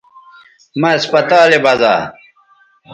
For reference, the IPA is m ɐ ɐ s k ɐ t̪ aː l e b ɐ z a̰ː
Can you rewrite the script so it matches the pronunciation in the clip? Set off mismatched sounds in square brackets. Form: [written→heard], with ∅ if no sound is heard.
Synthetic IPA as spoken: m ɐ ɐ s [k→p] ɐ t̪ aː l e b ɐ z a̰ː